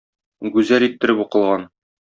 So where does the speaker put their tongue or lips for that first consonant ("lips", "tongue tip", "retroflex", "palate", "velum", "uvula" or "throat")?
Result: velum